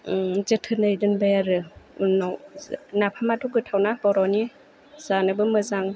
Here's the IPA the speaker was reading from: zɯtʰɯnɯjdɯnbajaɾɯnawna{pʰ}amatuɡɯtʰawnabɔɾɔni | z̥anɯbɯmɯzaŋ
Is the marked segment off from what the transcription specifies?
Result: no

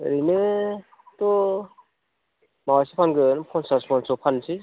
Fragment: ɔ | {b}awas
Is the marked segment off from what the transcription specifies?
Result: yes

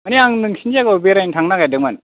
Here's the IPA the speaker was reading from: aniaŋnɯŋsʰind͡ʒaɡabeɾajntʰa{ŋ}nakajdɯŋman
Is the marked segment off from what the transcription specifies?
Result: no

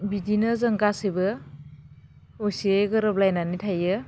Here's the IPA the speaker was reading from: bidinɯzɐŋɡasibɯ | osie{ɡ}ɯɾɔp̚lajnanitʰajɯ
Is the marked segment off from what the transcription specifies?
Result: no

